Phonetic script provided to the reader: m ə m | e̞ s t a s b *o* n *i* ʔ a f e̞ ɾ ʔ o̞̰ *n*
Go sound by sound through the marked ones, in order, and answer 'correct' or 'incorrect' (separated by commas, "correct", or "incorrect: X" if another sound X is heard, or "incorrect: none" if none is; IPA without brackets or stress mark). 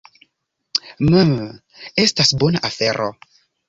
correct, incorrect: a, incorrect: none